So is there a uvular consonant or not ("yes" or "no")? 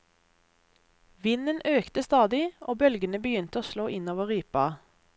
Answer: yes